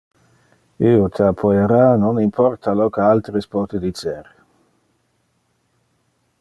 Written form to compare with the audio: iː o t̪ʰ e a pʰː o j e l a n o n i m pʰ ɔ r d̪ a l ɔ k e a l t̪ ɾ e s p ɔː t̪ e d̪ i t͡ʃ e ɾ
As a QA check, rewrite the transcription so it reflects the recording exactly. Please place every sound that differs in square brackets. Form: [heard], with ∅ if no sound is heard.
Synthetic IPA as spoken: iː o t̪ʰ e a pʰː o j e [ɾ] a n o n i m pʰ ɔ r [t̪] a l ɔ k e a l t̪ ɾ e s p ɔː t̪ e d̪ i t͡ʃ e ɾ